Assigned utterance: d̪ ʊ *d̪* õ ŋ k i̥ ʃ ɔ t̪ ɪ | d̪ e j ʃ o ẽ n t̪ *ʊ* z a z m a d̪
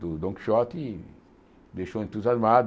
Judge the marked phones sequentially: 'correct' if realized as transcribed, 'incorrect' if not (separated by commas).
correct, incorrect